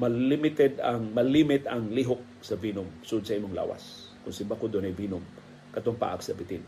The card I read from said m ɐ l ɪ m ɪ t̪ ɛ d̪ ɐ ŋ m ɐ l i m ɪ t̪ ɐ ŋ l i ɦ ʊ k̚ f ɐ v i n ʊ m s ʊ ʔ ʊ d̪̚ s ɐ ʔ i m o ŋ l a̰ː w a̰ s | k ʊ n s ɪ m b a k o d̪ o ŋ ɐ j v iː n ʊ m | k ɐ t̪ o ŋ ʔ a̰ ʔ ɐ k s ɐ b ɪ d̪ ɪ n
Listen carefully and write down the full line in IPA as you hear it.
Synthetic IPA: m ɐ l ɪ m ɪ t̪ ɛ d̪ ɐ ŋ m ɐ l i m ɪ t̪ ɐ ŋ l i ɦ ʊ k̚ s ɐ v i n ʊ m s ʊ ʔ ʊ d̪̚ s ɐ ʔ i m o ŋ l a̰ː w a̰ s | k ʊ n s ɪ m b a k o d̪ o n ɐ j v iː n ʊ m | k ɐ t̪ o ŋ p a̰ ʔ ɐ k s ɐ b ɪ t̪ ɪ n